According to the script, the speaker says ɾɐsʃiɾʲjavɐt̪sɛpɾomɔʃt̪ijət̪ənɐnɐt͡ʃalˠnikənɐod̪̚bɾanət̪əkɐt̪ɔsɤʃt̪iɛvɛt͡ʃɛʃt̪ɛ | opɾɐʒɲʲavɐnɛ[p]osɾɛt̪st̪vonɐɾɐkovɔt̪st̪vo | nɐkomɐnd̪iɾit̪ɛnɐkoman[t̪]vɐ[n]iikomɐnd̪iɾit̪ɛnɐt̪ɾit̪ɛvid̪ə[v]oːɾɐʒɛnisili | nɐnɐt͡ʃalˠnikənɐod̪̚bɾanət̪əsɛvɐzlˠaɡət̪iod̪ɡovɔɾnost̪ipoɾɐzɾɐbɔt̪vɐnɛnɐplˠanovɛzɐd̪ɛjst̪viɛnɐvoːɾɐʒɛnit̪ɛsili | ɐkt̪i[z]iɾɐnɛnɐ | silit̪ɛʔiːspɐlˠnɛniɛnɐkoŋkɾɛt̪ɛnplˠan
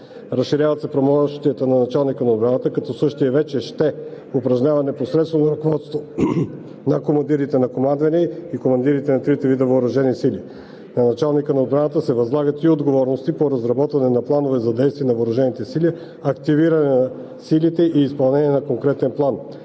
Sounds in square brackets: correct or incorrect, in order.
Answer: correct, incorrect, correct, correct, incorrect

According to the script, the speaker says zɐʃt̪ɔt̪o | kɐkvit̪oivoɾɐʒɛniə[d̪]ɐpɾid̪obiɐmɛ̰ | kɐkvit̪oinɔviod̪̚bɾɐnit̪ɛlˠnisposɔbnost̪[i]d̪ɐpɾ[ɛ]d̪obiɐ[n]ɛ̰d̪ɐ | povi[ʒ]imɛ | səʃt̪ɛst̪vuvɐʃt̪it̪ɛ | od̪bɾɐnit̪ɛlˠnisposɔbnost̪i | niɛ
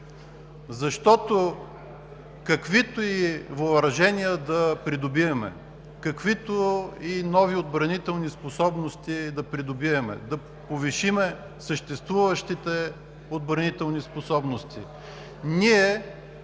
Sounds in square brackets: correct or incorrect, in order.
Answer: correct, correct, incorrect, incorrect, incorrect

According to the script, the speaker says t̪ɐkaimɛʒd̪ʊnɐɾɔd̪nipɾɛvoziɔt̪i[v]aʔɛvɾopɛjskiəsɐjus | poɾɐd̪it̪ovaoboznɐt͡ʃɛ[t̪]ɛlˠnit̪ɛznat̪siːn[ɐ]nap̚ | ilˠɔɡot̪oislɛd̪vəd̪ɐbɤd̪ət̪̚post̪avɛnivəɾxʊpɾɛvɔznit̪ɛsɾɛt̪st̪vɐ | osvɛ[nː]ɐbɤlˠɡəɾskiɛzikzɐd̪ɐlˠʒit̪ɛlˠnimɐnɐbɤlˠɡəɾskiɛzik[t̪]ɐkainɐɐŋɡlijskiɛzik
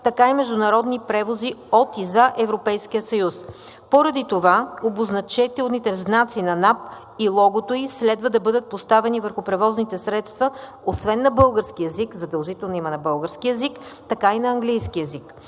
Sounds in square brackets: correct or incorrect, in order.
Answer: incorrect, correct, correct, correct, correct

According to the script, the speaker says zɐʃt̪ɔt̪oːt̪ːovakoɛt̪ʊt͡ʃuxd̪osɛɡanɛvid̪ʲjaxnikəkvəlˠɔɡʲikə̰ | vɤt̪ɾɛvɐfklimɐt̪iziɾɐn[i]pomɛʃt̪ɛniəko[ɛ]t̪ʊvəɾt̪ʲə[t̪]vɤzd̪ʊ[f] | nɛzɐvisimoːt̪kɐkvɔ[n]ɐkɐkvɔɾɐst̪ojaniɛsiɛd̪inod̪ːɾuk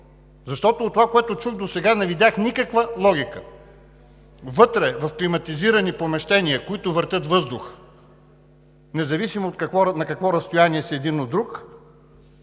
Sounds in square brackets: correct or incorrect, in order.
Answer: correct, incorrect, correct, incorrect, correct

